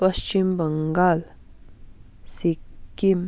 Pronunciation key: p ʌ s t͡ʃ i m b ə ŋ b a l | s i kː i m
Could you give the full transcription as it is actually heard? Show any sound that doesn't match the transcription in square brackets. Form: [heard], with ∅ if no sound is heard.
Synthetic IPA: p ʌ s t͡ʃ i m b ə ŋ [ɡ] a l | s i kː i m